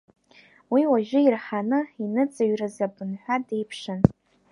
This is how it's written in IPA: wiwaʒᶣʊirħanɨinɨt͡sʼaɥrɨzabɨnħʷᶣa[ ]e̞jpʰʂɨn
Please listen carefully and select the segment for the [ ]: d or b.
d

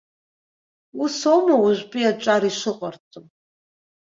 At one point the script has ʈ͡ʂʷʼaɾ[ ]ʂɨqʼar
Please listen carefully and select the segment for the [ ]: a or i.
i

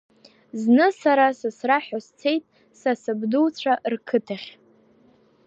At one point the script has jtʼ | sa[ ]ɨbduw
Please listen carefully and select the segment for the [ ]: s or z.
s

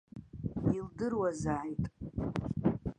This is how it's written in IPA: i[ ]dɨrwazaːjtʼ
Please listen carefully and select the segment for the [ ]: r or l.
l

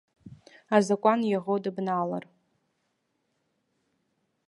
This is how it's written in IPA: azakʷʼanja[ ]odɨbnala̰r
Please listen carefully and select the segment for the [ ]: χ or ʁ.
ʁ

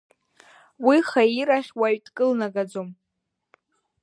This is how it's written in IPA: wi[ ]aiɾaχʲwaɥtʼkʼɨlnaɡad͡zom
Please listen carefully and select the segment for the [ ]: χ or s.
χ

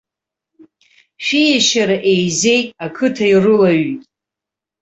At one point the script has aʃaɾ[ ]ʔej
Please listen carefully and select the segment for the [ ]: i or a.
a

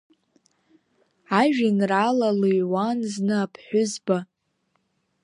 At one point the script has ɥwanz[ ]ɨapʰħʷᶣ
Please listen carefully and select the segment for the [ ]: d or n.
n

